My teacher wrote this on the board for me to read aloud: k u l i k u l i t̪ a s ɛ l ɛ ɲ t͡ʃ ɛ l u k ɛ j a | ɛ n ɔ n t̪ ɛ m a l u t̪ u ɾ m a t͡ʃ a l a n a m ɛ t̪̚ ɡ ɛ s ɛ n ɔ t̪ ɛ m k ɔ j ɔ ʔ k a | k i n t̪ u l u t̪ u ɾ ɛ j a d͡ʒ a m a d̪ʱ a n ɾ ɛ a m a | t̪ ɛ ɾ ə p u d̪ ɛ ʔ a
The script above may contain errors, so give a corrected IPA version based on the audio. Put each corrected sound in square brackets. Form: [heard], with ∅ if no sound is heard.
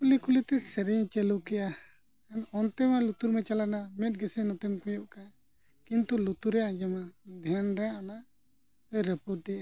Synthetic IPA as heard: k u l i k u l i t̪ [ɛ] s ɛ [ɾ] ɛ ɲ t͡ʃ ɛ l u k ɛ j a | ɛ n ɔ n t̪ ɛ m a l u t̪ u ɾ m [ɛ] t͡ʃ a l a n a m ɛ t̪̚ ɡ ɛ s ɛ n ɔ t̪ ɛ m k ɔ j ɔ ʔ k a | k i n t̪ u l u t̪ u ɾ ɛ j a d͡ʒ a m a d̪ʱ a n ɾ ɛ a [n] a | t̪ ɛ ɾ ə p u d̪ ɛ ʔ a

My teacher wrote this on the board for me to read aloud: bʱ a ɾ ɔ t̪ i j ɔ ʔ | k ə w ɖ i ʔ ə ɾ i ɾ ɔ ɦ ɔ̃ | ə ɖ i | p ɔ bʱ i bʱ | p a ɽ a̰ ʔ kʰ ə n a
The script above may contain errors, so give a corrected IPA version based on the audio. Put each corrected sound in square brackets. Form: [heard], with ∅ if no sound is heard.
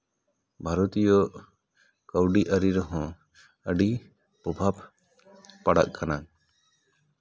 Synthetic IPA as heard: bʱ a ɾ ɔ t̪ i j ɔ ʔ | k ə w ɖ i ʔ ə ɾ i ɾ ɔ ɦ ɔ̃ | ə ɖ i | p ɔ bʱ [a] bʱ | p a ɽ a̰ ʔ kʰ [a] n a

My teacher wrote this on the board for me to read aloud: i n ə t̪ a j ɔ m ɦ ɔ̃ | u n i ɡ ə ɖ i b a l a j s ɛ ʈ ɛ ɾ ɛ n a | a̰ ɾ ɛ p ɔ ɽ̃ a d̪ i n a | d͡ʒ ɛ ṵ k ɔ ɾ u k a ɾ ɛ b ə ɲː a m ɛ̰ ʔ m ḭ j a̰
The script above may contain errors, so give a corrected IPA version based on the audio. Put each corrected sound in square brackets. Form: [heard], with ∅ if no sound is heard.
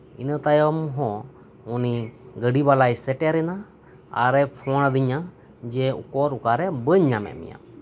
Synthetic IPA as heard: i n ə t̪ a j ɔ m ɦ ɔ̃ | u n i ɡ ə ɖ i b a l a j s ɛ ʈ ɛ ɾ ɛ n a | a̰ ɾ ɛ [pʰ] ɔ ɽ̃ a d̪ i [ɲ] a | d͡ʒ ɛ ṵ k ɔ ɾ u k a ɾ ɛ b ə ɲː a m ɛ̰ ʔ m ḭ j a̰

